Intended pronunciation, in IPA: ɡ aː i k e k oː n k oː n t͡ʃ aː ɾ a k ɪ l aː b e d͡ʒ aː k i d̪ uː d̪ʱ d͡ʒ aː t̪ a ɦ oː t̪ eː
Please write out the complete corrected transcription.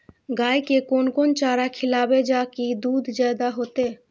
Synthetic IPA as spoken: ɡ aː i k e k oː n k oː n t͡ʃ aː ɾ a kʰ ɪ l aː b e d͡ʒ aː k i d̪ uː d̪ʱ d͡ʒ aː d̪ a ɦ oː t̪ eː